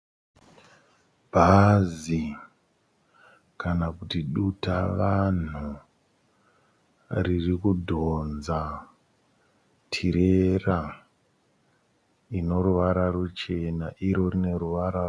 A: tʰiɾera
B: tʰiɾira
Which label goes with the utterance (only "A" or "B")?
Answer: A